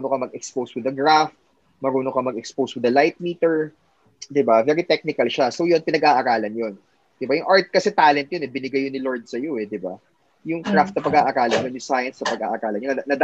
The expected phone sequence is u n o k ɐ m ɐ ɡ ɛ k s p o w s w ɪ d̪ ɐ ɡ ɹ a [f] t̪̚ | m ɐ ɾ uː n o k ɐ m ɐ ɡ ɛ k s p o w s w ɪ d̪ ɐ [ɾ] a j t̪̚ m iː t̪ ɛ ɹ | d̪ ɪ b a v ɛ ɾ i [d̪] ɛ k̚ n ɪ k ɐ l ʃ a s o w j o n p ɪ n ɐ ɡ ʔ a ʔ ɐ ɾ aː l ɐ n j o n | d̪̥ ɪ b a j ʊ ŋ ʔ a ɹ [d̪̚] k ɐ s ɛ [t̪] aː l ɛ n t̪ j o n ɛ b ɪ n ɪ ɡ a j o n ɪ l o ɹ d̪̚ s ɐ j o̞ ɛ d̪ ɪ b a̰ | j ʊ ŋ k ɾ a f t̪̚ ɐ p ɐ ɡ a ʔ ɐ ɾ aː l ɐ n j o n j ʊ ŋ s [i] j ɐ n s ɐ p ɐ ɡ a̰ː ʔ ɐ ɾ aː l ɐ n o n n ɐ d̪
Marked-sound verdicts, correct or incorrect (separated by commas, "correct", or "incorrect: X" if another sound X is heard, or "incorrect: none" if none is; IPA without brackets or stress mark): correct, incorrect: l, incorrect: t̪, incorrect: t̪̚, correct, incorrect: a